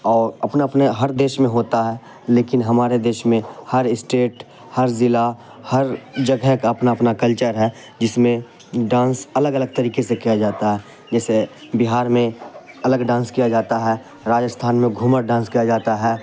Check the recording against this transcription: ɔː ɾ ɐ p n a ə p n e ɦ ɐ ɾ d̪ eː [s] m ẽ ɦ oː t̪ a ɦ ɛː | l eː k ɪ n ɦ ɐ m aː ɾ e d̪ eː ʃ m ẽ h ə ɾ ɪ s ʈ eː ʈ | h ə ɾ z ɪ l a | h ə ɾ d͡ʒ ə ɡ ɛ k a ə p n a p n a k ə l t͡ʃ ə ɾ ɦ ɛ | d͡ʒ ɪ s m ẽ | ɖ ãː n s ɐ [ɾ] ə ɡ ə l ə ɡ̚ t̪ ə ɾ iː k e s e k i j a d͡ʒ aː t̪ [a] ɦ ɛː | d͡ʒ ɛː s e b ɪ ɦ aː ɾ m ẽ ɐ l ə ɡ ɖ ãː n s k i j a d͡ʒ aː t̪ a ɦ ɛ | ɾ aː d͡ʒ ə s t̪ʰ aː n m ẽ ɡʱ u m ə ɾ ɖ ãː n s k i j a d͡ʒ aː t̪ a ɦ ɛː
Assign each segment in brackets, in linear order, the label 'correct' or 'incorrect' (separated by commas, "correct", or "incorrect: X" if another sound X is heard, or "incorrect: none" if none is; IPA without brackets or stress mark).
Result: incorrect: ʃ, incorrect: l, correct